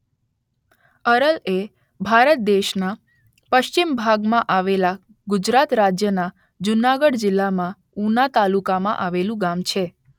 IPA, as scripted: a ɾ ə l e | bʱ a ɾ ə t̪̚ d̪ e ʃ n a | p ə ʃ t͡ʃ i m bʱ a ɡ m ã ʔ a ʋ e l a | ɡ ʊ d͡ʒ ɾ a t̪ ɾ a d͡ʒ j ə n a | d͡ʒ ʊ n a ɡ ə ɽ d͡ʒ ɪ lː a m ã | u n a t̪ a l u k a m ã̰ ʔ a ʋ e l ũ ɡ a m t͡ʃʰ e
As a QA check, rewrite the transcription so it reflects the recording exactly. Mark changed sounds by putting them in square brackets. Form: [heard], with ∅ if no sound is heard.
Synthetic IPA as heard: [ə] ɾ ə l e | bʱ a ɾ ə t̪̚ d̪ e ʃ n a | p ə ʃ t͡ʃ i m bʱ a ɡ m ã ʔ a ʋ e l a | ɡ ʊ d͡ʒ ɾ a t̪ ɾ a d͡ʒ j ə n a | d͡ʒ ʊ n a ɡ ə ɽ d͡ʒ ɪ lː a m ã | u n a t̪ a l u k a m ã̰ ʔ a ʋ e l ũ ɡ a m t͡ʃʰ e